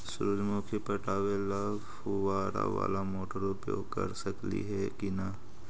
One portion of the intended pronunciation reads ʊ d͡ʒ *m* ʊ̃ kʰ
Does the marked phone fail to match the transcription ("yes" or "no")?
no